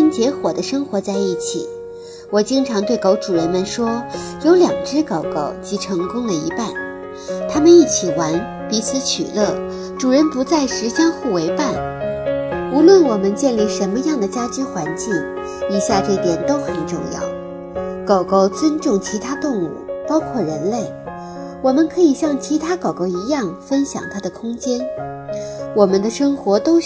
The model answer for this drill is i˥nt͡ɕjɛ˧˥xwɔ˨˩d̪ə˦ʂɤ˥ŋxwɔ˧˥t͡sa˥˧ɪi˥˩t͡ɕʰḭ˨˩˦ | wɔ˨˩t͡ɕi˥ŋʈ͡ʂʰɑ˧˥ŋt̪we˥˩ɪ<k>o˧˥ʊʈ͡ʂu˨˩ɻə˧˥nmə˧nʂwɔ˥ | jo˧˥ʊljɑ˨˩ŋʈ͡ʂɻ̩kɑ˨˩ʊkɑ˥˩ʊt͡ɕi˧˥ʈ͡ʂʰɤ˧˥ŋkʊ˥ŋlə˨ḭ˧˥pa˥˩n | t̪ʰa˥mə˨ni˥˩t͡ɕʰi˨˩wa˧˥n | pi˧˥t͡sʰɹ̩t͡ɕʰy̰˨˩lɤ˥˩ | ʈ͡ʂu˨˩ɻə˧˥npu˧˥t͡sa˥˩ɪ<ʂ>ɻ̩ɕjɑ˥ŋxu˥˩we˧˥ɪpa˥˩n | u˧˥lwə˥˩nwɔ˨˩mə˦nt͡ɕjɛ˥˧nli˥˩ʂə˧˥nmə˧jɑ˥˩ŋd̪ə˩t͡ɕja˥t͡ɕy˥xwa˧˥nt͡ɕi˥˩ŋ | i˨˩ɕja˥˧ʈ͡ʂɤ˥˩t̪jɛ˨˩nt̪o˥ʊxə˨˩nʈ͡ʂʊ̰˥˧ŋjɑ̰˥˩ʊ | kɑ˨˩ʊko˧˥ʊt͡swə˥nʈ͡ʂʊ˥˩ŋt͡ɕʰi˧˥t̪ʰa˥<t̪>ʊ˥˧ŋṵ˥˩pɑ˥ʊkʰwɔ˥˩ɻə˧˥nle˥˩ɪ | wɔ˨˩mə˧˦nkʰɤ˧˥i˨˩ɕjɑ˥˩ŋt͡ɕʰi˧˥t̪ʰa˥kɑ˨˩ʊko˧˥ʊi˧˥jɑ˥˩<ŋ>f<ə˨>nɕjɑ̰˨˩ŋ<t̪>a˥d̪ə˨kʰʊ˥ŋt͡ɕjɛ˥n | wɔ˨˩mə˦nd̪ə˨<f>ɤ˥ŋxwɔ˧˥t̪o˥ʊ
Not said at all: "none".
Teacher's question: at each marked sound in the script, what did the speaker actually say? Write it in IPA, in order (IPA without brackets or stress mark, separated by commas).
k, ʂ, t̪, ŋ, ə˥, t̪ʰ, ʂ